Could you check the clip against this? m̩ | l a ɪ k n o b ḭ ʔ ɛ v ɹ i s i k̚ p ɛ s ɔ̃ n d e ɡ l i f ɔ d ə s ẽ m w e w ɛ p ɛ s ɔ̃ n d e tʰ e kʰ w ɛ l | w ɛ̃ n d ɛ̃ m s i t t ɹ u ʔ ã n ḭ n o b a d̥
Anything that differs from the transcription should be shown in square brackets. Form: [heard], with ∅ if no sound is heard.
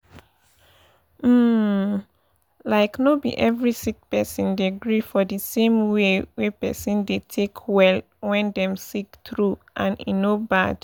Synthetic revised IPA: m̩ | l a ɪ k n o b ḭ ʔ ɛ v ɹ i s i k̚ p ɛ s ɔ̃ n d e ɡ [ɹ] i f ɔ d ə s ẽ m w e w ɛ p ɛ s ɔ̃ n d e tʰ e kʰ w ɛ l | w ɛ̃ n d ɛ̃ m s i [k] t ɹ u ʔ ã n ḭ n o b a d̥

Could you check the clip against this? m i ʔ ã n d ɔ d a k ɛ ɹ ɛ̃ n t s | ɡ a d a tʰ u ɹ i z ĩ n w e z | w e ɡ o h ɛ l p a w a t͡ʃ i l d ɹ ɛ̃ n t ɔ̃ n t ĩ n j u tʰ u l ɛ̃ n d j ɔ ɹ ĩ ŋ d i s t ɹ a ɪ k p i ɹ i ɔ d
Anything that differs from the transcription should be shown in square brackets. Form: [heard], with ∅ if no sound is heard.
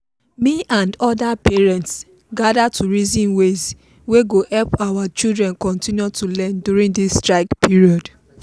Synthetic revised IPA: m i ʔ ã n d ɔ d a [p] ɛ ɹ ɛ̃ n t s | ɡ a d a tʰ u ɹ i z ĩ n w e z | w e ɡ o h ɛ l p a w a t͡ʃ i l d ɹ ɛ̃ n [k] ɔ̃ n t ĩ n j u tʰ u l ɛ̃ n d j [u] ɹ ĩ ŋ d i s t ɹ a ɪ k p i ɹ i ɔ d

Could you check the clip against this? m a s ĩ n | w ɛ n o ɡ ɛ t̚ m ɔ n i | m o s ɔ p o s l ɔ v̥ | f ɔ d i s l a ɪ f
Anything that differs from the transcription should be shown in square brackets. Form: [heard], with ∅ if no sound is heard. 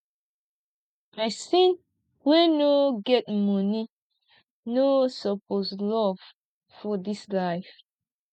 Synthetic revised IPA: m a s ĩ n | w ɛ n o ɡ ɛ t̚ m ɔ n i | [n] o s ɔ p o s l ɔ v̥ | f ɔ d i s l a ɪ f

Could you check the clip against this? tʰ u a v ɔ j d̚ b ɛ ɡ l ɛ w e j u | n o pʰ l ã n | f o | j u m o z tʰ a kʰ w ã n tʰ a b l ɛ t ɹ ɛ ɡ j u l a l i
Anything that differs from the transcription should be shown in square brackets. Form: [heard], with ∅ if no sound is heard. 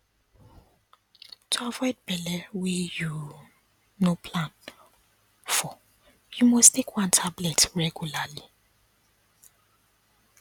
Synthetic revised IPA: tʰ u a v ɔ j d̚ b ɛ [∅] l ɛ w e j u | n o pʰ l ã n | f [ɔ] | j u m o [s] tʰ [e] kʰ w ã n tʰ a b l ɛ t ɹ ɛ ɡ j u l a l i

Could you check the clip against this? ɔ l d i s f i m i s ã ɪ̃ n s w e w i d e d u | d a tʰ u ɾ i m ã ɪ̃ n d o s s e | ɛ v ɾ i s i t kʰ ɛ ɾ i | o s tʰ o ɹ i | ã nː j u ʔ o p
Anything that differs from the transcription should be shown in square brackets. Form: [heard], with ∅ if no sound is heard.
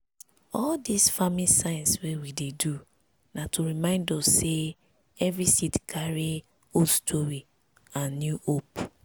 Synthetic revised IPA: ɔ l d i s f [a] m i s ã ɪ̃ n s w e w i d e d u | [n] a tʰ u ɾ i m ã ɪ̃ n d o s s e | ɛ v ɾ i s i t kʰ [a] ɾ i | o s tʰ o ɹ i | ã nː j u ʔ o p

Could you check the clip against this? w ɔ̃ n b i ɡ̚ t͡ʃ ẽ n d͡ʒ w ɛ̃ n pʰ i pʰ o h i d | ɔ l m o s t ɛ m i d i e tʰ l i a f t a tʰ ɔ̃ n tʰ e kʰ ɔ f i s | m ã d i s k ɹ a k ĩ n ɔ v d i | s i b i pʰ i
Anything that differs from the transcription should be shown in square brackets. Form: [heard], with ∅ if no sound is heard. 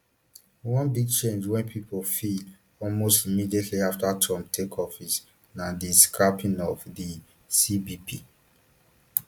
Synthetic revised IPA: w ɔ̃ n b i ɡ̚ t͡ʃ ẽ n d͡ʒ w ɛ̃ n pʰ i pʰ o [f] i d | ɔ l m o s t [i] m i d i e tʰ l i a f t a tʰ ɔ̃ [m] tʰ e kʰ ɔ f i s | [n] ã d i s k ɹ a [p] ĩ n ɔ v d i | s i b i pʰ i

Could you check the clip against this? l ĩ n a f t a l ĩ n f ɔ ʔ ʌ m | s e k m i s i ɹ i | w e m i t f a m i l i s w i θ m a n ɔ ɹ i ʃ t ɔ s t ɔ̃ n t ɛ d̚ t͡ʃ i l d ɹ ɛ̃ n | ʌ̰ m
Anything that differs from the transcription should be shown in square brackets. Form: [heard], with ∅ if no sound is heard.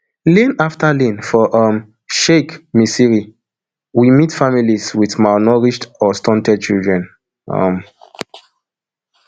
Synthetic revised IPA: l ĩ n a f t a l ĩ n f ɔ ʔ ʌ m | [ʃ] e k m i s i ɹ i | w [i] m i t f a m i l i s w i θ m a n ɔ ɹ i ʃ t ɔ s t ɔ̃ n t ɛ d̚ t͡ʃ i l d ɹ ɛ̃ n | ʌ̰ m

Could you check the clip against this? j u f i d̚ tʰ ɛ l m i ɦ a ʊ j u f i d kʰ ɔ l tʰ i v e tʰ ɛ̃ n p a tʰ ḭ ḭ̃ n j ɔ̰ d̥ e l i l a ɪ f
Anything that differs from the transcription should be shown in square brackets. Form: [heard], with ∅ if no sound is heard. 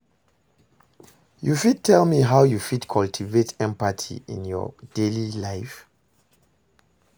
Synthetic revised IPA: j u f i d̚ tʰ ɛ l m i ɦ a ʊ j u f i d kʰ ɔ l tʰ i v e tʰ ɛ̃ [m] p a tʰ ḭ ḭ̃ n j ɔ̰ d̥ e l i l a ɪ f

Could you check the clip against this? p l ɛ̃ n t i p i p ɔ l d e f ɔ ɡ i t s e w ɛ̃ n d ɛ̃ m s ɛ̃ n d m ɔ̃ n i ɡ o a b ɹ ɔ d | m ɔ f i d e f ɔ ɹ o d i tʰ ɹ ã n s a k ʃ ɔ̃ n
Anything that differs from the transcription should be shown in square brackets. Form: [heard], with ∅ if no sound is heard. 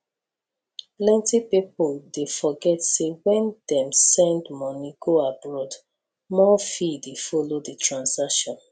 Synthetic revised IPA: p l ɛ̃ n t i p i p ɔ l d e f ɔ ɡ [ɛ] t s e w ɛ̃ n d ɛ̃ m s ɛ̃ n d m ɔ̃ n i ɡ o a b ɹ ɔ d | m ɔ f i d e f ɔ [l] o d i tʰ ɹ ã n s a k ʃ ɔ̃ n

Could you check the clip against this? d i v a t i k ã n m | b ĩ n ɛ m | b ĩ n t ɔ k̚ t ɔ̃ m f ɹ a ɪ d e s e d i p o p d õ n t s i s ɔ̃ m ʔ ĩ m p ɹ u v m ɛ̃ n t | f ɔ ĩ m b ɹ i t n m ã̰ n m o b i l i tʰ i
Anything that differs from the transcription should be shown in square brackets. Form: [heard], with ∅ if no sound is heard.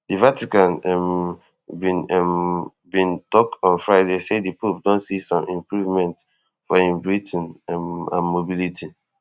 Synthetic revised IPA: d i v a t i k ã n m | b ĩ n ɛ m | b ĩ n t ɔ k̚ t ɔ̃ [n] f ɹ a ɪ d e s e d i p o p d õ n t s i s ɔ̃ m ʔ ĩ m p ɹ u v m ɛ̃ n t | f ɔ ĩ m b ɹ i t n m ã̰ n m o b i l i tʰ i

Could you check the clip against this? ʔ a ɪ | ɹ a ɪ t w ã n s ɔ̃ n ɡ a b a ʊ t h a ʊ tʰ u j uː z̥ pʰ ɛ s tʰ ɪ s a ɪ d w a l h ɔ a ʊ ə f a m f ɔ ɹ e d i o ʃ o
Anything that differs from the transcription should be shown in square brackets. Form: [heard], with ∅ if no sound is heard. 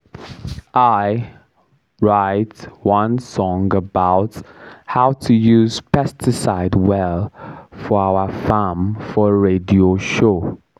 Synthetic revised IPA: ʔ a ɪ | ɹ a ɪ t w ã n s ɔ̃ [ŋ] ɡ [ə] b a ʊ t h a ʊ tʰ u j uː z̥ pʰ ɛ s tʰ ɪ s a ɪ d w [ɛ] l [f] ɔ a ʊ ə f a m f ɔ ɹ e d i o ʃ o

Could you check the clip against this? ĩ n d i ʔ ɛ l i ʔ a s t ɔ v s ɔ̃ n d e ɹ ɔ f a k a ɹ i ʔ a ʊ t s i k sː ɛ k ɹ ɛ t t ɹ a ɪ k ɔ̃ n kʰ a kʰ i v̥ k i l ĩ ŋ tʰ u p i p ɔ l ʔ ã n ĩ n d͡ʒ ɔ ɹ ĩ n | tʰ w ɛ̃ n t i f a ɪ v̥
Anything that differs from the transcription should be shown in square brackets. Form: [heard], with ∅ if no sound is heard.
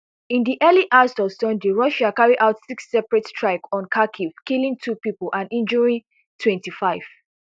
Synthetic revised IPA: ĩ n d i ʔ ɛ l i ʔ a s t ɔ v s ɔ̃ n d e ɹ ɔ [ʃ] a k a ɹ i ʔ a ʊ t s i k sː ɛ [p] ɹ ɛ t t ɹ a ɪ k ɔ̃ n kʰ a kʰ i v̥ k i l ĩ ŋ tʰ u p i p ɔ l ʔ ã n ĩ n d͡ʒ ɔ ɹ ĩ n | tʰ w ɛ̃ n t i f a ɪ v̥

